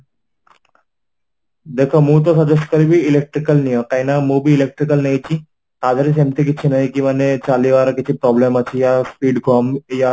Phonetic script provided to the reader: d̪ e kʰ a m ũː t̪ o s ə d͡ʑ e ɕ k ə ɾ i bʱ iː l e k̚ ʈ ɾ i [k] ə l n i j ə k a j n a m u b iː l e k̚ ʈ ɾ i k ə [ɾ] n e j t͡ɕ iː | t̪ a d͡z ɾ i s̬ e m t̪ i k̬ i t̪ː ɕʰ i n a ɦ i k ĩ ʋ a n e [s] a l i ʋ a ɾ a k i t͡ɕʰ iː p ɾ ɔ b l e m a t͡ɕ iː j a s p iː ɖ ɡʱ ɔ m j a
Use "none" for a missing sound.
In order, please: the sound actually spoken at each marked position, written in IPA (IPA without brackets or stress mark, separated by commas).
k, l, t͡s